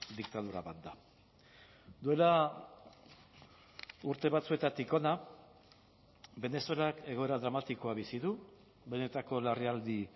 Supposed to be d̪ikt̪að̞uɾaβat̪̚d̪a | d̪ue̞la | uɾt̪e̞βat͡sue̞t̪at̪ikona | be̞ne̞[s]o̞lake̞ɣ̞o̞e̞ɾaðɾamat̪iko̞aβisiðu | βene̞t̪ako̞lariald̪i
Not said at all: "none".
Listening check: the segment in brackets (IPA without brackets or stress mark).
s